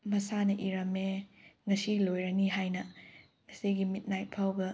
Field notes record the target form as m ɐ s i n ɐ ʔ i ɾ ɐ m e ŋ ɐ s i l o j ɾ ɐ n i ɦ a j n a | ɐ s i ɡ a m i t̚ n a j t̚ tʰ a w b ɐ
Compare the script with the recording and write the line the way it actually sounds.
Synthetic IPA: m ɐ s a n ɐ ʔ i ɾ ɐ m e ŋ ɐ s i l o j ɾ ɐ n i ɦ a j n ɐ | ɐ s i ɡ i m i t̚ n a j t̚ pʰ a w b ɐ